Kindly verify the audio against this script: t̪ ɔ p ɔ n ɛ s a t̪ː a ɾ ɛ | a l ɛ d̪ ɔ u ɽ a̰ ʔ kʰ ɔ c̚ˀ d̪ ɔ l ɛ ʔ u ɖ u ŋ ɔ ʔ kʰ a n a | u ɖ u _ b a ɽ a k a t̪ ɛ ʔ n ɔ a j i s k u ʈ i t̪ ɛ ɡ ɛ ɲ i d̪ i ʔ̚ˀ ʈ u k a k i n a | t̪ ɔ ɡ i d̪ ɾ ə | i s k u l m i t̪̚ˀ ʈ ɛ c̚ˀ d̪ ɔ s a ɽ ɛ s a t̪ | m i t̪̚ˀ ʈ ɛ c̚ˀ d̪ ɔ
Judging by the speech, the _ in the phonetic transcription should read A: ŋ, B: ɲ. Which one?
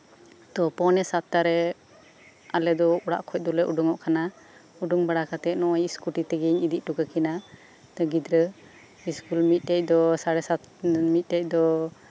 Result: A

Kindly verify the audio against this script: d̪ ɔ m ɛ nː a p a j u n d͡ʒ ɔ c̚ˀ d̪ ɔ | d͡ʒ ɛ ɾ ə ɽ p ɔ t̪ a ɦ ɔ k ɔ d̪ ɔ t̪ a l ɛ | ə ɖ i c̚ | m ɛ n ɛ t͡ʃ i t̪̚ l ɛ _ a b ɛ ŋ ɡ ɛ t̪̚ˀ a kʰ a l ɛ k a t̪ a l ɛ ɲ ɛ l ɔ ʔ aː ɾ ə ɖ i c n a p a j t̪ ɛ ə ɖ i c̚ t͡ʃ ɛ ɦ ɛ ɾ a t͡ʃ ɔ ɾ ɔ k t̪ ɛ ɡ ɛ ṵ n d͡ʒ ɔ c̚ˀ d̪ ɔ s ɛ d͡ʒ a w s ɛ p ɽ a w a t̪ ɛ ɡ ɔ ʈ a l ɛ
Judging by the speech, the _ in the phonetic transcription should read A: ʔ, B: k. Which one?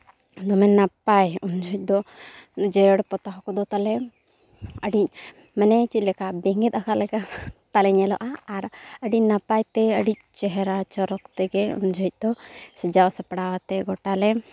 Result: B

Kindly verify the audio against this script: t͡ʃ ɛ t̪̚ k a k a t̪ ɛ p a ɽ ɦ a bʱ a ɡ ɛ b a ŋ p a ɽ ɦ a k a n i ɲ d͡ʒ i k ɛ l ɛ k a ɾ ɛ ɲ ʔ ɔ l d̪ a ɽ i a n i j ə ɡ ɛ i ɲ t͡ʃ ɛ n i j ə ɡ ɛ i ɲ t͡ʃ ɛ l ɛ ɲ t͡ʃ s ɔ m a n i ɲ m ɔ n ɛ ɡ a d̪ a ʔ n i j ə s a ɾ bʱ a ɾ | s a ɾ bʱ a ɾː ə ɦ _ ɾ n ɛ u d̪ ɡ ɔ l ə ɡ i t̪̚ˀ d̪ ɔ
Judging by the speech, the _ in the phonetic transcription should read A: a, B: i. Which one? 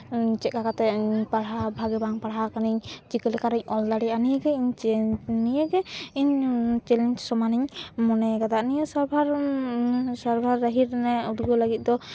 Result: B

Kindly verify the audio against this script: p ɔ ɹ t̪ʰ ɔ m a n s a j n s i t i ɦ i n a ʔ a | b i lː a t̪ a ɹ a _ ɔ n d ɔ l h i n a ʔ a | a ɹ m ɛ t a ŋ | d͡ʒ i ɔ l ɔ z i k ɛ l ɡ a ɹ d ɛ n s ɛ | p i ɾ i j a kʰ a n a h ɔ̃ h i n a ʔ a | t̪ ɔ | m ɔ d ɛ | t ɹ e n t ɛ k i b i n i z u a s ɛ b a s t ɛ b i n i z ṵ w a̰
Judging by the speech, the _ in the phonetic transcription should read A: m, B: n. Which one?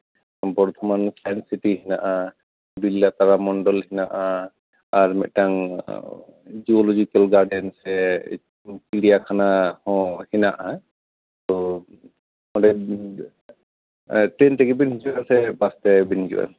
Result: A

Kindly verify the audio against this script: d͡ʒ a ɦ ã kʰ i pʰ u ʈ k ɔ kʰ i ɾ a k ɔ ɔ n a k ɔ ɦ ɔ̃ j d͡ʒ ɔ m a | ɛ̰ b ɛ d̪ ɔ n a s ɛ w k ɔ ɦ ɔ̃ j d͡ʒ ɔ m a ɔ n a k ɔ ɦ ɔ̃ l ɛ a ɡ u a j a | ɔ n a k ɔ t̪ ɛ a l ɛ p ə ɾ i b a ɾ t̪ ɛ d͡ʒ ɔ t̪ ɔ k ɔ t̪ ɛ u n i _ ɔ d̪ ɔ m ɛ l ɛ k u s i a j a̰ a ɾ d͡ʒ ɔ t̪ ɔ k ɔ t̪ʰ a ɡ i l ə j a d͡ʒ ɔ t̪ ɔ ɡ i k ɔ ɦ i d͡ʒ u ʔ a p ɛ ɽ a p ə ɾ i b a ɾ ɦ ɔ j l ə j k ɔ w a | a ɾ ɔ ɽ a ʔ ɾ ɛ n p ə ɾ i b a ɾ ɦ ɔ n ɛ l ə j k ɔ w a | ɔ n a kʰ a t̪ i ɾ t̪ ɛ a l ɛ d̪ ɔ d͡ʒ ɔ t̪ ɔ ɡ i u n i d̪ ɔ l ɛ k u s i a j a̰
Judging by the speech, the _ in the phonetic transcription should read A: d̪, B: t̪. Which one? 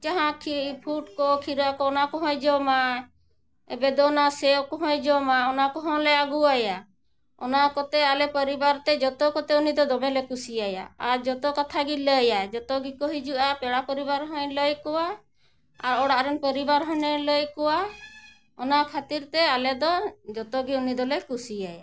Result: A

